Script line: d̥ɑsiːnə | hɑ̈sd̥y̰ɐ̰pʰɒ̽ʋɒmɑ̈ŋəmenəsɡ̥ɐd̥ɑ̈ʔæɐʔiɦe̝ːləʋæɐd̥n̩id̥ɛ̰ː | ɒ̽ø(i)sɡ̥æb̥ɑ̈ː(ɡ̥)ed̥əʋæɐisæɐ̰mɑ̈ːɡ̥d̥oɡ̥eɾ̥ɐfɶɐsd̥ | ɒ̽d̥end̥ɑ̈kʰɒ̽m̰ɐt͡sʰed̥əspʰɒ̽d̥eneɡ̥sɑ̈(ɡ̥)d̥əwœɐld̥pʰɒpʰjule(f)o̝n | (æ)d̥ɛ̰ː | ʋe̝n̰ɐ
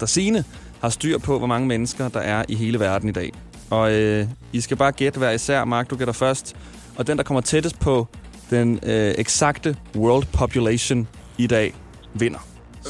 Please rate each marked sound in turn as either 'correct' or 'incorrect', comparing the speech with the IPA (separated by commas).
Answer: correct, correct, correct, incorrect, incorrect